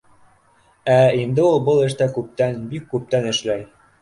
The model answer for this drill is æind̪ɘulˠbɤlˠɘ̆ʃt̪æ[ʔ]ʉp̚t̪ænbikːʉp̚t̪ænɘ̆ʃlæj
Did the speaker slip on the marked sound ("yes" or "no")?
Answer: yes